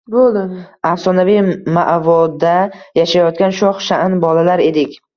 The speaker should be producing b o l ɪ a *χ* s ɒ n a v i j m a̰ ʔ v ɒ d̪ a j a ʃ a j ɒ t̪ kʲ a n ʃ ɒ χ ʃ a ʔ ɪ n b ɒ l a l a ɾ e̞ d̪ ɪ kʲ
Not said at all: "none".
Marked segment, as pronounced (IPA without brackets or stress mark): f